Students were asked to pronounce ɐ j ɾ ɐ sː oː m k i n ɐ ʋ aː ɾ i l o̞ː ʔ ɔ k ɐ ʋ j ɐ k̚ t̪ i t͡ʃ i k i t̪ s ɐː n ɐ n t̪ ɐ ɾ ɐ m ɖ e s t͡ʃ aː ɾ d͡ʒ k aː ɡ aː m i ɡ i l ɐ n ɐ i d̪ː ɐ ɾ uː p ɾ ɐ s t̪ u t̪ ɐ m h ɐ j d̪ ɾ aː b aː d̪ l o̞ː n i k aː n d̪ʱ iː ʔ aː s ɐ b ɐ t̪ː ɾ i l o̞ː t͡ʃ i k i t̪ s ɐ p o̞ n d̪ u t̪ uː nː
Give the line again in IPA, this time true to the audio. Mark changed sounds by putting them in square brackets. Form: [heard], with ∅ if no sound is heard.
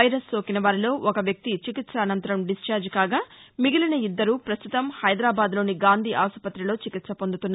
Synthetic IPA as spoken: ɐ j ɾ ɐ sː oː [∅] k i n ɐ ʋ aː ɾ i l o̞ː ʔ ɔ k ɐ ʋ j ɐ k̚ t̪ i t͡ʃ i k i t̪ s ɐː n ɐ n t̪ ɐ ɾ ɐ m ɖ [i] s t͡ʃ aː ɾ d͡ʒ k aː ɡ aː m i ɡ i l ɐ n ɐ i d̪ː ɐ ɾ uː p ɾ ɐ s t̪ u t̪ ɐ m h ɐ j d̪ ɾ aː b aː d̪ l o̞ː n i [ɡ] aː n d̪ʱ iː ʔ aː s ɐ [p] ɐ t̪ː ɾ i l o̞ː t͡ʃ i k i t̪ s ɐ p o̞ n d̪ u t̪ [u] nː

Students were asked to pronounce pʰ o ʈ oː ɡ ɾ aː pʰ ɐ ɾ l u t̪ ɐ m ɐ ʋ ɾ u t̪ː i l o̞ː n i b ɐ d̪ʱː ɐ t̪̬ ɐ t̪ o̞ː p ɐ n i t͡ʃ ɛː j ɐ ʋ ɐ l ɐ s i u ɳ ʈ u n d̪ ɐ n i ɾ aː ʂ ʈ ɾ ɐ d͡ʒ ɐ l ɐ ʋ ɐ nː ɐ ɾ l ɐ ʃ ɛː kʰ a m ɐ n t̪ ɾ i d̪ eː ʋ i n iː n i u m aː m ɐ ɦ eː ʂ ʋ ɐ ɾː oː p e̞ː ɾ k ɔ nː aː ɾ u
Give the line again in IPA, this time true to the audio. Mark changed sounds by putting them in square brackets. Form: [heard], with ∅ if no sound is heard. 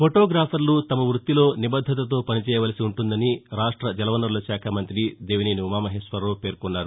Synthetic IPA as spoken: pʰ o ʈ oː ɡ ɾ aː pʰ ɐ ɾ l u t̪ ɐ m ɐ ʋ ɾ u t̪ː i l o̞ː n i b ɐ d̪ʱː ɐ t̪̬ ɐ t̪ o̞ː p ɐ n i t͡ʃ ɛː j ɐ ʋ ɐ l ɐ s i u ɳ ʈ u n d̪ ɐ n i ɾ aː ʂ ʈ ɾ ɐ d͡ʒ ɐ l ɐ ʋ ɐ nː ɐ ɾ l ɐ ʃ [aː] kʰ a m ɐ n t̪ ɾ i d̪ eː ʋ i n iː n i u m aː m ɐ ɦ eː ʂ ʋ ɐ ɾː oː p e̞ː ɾ k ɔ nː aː ɾ u

